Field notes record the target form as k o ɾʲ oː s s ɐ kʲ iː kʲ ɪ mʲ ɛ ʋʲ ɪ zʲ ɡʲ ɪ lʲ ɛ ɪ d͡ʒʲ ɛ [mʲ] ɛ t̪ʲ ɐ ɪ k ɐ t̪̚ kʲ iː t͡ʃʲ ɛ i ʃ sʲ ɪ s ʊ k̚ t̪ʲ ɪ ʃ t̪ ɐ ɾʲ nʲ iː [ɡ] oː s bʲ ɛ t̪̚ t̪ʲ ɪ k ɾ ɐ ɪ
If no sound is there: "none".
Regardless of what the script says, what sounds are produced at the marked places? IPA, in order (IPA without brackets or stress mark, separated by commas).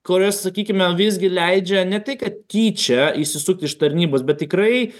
nʲ, b